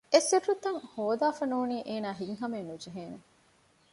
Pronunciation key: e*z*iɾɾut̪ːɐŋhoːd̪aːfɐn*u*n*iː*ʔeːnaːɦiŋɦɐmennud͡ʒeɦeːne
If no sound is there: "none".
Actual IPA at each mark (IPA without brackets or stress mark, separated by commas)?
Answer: s, uː, iː